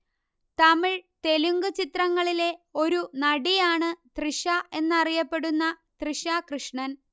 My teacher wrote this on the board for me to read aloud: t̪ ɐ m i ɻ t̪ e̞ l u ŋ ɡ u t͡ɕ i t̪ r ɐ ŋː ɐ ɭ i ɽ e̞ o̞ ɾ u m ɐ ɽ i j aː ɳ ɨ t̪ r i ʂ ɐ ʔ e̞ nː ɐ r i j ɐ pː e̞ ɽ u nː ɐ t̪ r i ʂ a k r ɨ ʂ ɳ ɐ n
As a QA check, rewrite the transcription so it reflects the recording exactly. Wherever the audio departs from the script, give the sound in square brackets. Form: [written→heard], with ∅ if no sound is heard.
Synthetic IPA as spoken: t̪ ɐ m i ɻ t̪ e̞ l u ŋ ɡ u t͡ɕ i t̪ r ɐ ŋː ɐ ɭ i [ɽ→l] e̞ o̞ ɾ u [m→n] ɐ ɽ i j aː ɳ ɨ t̪ r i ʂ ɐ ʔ e̞ nː ɐ r i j ɐ pː e̞ ɽ u nː ɐ t̪ r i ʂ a k r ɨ ʂ ɳ ɐ n

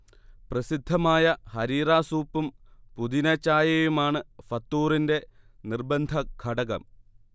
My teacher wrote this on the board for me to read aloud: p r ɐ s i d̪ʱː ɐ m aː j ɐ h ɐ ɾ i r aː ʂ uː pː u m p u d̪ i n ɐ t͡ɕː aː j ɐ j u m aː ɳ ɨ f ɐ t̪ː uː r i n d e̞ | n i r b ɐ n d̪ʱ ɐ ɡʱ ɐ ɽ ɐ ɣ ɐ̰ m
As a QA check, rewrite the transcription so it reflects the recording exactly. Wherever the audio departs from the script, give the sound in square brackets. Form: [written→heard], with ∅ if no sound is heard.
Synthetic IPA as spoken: p r ɐ s i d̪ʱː ɐ m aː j ɐ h ɐ ɾ [i→iː] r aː [ʂ→s] uː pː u m p u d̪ i n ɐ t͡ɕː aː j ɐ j u m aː ɳ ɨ f ɐ t̪ː uː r i n d e̞ | n i r b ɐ n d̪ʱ ɐ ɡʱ ɐ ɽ ɐ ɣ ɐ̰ m

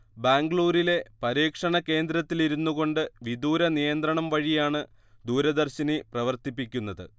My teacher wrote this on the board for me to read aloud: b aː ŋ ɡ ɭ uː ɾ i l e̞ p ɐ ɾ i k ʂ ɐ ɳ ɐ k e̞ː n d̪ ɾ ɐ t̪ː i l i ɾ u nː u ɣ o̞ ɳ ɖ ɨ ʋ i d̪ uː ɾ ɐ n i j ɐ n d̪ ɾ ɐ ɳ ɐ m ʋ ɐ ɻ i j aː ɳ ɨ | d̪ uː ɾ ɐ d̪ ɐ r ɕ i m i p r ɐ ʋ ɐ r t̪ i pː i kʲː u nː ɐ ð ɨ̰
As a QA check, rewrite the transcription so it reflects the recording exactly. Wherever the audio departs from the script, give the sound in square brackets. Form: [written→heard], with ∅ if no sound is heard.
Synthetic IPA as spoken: b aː ŋ ɡ ɭ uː ɾ i l e̞ p ɐ ɾ [i→iː] k ʂ ɐ ɳ ɐ k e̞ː n d̪ ɾ ɐ t̪ː i l i ɾ u nː u ɣ o̞ ɳ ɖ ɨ ʋ i d̪ uː ɾ ɐ n i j ɐ n d̪ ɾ ɐ ɳ ɐ m ʋ ɐ ɻ i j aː ɳ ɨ | d̪ uː ɾ ɐ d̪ ɐ r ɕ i [m→n] i p r ɐ ʋ ɐ r t̪ i pː i kʲː u nː ɐ ð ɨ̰

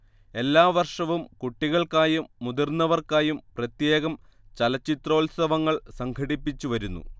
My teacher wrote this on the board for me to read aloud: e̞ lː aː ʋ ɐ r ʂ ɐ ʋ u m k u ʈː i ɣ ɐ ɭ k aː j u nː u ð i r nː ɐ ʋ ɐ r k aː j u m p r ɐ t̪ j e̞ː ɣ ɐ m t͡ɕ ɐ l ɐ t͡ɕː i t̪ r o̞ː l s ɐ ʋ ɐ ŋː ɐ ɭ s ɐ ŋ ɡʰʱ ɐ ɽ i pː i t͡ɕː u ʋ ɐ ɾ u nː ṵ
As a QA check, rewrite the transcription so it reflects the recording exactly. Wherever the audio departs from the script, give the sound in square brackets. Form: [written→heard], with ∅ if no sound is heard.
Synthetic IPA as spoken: e̞ lː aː ʋ ɐ r ʂ ɐ ʋ u m k u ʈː i ɣ ɐ ɭ k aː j u [nː→mː] u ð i r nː ɐ ʋ ɐ r k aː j u m p r ɐ t̪ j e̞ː ɣ ɐ m t͡ɕ ɐ l ɐ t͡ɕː i t̪ r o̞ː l s ɐ ʋ ɐ ŋː ɐ ɭ s ɐ ŋ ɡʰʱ ɐ ɽ i pː i t͡ɕː u ʋ ɐ ɾ u nː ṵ

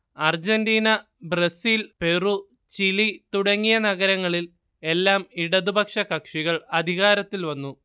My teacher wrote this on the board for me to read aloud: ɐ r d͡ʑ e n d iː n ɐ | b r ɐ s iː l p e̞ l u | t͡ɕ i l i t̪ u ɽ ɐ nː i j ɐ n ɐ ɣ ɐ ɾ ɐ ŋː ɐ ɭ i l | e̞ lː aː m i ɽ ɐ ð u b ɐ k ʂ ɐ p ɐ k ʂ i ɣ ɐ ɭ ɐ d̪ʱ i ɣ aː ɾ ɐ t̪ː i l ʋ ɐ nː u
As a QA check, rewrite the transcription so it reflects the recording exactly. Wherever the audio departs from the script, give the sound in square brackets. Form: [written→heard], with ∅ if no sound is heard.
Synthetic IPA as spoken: ɐ r d͡ʑ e n d iː n ɐ | b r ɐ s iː l p e̞ [l→r] u | t͡ɕ i l i t̪ u ɽ ɐ [nː→ŋː] i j ɐ n ɐ ɣ ɐ ɾ ɐ ŋː ɐ ɭ i l | e̞ lː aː m i ɽ ɐ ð u b ɐ k ʂ ɐ [p→k] ɐ k ʂ i ɣ ɐ ɭ ɐ d̪ʱ i ɣ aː ɾ ɐ t̪ː i l ʋ ɐ nː u

